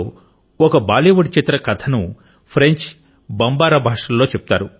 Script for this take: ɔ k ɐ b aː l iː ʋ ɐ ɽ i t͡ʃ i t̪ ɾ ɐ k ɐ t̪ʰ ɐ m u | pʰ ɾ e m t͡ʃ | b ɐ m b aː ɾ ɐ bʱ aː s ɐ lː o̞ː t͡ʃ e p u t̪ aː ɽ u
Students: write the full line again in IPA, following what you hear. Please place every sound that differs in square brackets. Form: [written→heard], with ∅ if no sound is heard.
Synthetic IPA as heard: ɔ k ɐ b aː l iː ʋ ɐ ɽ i t͡ʃ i t̪ ɾ ɐ k ɐ t̪ʰ ɐ [m→n] u | pʰ ɾ e [m→ɲ] t͡ʃ | b ɐ m b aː ɾ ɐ bʱ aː [s→ʂ] ɐ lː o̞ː t͡ʃ e p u t̪ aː [ɽ→ɾ] u

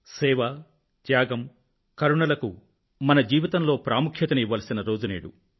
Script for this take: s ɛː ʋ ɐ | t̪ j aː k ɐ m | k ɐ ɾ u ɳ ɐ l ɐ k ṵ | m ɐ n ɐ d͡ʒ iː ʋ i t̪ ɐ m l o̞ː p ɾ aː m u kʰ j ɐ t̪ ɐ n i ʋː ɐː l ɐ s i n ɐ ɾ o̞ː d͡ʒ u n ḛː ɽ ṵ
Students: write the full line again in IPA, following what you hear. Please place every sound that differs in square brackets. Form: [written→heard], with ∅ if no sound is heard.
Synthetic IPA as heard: s ɛː ʋ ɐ | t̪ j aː [k→ɡ] ɐ m | k ɐ ɾ u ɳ ɐ l ɐ k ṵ | m ɐ n ɐ d͡ʒ iː ʋ i t̪ ɐ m l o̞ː p ɾ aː m u kʰ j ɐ t̪ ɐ n i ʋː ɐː l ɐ s i n ɐ ɾ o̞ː d͡ʒ u n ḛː ɽ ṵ

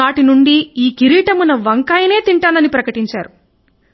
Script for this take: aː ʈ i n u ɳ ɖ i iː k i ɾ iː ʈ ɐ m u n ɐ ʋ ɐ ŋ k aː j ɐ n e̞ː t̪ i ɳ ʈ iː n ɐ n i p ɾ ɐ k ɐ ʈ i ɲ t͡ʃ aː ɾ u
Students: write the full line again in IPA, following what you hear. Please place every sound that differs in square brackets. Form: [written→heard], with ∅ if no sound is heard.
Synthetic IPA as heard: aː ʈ i n u ɳ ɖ i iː k i ɾ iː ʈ ɐ m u n ɐ ʋ ɐ ŋ k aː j ɐ n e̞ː t̪ i ɳ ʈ [iː→aː] n ɐ n i p ɾ ɐ k ɐ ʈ i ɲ t͡ʃ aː ɾ u

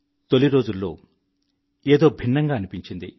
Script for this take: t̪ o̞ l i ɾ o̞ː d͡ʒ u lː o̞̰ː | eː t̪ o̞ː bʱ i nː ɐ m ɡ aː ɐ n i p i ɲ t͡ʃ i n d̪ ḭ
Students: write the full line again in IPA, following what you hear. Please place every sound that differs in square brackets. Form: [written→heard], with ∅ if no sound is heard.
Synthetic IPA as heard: t̪ o̞ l i ɾ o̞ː d͡ʒ u lː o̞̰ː | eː [t̪→d̪] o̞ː bʱ i nː ɐ [m→ŋ] ɡ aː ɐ n i p i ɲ t͡ʃ i n d̪ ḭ

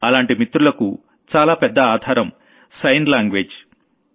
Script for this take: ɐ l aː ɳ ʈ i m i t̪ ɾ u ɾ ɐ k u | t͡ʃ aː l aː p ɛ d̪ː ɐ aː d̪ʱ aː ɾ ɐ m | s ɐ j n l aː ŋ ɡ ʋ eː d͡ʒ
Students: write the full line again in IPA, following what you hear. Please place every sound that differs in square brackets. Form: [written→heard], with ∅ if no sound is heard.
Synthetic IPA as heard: ɐ l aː ɳ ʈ i m i t̪ ɾ u [ɾ→l] ɐ k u | t͡ʃ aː l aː p ɛ d̪ː ɐ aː d̪ʱ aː ɾ ɐ m | s ɐ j n l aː ŋ ɡ ʋ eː d͡ʒ

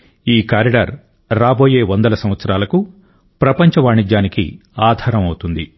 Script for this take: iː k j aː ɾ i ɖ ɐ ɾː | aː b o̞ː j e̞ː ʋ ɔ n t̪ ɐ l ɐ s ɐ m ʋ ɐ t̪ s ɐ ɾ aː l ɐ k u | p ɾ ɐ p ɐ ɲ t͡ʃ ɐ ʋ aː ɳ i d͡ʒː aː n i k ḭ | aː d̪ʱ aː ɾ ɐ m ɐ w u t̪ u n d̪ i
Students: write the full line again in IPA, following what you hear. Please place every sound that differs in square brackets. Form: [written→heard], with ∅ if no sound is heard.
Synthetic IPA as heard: iː k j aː ɾ i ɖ ɐ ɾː | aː b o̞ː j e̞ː ʋ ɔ n [t̪→d̪] ɐ l ɐ s ɐ m ʋ ɐ t̪ s ɐ ɾ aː l ɐ k u | p ɾ ɐ p ɐ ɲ t͡ʃ ɐ ʋ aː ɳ i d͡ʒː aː n i k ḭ | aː d̪ʱ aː ɾ ɐ m ɐ w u t̪ u n d̪ i

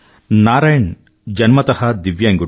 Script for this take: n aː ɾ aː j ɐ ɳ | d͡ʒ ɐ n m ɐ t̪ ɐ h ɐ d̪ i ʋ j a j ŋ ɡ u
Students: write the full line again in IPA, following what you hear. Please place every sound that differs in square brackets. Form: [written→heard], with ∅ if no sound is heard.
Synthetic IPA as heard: n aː ɾ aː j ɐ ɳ | d͡ʒ ɐ n m ɐ t̪ ɐ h ɐ d̪ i ʋ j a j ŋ ɡ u

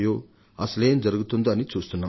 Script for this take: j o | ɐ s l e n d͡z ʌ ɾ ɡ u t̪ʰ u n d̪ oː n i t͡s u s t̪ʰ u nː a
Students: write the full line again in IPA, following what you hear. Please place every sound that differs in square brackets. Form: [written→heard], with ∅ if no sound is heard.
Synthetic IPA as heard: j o | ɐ s l e n d͡z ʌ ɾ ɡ u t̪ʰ u n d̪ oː n i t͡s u s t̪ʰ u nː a

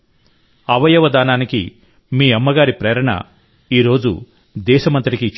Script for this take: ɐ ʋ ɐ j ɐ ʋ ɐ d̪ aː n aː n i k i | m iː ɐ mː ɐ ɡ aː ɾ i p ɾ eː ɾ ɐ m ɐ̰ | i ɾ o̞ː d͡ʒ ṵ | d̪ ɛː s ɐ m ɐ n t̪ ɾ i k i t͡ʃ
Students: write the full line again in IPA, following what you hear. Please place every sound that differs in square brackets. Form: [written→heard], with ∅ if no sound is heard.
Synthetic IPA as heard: ɐ ʋ ɐ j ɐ ʋ ɐ d̪ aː n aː n i k i | m iː ɐ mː ɐ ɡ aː ɾ i p ɾ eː ɾ ɐ [m→ɳ] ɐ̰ | [i→iː] ɾ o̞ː d͡ʒ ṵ | d̪ ɛː [s→ʃ] ɐ m ɐ n t̪ ɾ i k i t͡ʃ

